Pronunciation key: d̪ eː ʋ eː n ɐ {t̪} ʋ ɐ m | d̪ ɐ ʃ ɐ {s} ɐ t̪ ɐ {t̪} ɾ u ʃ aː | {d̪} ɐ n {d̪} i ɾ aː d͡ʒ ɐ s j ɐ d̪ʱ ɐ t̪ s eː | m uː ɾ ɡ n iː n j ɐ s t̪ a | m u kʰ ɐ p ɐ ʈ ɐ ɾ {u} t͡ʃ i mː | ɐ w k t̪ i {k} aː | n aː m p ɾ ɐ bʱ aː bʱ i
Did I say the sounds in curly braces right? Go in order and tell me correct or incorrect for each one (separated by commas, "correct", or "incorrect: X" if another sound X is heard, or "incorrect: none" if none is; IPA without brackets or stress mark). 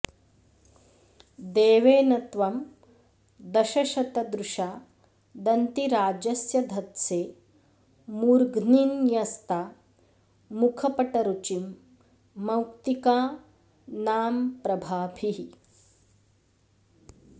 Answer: correct, incorrect: ʃ, incorrect: d̪, correct, incorrect: t̪, correct, correct